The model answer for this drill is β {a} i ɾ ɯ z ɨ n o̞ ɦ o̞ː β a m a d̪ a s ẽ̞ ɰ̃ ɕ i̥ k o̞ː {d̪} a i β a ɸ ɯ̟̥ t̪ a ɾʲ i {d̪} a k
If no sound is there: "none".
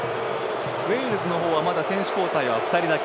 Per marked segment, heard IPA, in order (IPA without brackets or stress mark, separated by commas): e, t̪, d̪